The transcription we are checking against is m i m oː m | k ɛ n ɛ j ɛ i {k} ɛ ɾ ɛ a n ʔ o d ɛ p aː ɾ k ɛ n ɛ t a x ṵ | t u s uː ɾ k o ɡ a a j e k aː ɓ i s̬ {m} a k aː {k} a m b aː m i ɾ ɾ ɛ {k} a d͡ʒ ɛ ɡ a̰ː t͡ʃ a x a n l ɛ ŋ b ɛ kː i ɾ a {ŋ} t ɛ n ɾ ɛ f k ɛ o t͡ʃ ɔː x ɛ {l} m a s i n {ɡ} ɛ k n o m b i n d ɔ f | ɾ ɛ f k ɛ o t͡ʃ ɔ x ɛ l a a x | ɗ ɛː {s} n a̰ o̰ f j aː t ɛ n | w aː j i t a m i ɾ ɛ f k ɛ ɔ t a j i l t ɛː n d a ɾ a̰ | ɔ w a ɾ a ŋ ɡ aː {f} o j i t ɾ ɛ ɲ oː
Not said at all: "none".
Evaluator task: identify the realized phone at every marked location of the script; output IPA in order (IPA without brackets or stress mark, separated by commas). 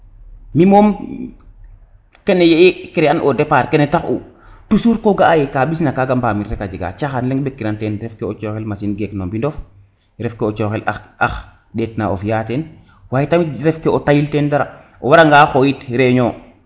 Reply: k, n, ɡ, k, n, l, ɡ, t, x